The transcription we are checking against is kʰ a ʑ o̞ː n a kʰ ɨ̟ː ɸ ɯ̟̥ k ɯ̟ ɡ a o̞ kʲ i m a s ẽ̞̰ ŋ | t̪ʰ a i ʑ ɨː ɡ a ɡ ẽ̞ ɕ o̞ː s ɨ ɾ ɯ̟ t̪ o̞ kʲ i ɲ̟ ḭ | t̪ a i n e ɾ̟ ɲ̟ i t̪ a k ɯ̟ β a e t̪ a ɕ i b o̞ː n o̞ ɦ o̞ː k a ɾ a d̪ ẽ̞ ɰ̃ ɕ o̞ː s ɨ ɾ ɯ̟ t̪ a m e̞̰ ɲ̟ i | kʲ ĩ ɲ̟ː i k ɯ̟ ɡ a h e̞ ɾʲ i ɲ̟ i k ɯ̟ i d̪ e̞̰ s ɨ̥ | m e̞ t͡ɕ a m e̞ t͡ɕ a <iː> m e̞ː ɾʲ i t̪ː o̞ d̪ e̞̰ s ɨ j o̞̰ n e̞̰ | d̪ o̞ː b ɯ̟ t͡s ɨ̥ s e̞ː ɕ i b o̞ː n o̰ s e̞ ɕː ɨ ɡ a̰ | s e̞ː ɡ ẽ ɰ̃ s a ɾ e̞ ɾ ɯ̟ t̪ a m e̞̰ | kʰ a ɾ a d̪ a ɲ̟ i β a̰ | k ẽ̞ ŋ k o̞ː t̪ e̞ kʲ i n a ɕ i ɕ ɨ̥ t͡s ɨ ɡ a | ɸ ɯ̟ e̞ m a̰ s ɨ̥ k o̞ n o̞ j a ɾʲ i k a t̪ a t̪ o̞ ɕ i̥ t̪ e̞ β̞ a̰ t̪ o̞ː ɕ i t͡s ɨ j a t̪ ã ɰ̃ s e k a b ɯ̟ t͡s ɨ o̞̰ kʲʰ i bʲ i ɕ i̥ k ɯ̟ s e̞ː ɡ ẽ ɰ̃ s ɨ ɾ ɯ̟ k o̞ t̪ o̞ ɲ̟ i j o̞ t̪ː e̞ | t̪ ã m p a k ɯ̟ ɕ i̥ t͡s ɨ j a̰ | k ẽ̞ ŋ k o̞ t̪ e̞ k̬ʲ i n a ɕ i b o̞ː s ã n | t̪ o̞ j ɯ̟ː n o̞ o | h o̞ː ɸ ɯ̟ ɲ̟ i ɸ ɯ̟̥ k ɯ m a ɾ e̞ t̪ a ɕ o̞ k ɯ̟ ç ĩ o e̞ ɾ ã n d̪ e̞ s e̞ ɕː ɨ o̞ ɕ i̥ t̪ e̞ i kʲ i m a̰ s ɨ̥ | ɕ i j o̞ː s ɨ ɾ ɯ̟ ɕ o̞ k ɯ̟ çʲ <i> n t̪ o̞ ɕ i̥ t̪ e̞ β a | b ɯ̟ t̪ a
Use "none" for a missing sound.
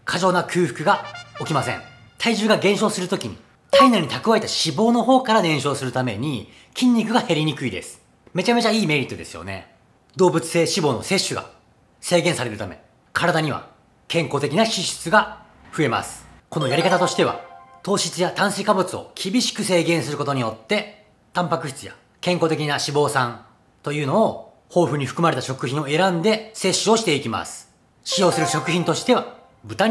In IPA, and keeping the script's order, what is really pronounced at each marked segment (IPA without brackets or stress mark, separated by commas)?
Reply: iː, ĩ